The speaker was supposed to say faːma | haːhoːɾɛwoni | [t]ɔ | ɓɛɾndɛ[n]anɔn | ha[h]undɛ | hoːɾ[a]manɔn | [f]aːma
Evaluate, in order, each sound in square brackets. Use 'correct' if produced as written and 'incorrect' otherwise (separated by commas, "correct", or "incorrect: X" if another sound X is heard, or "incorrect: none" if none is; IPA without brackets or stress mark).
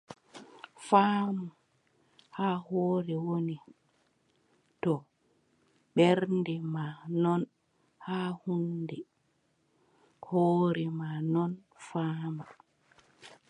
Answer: correct, incorrect: m, correct, incorrect: ɛ, correct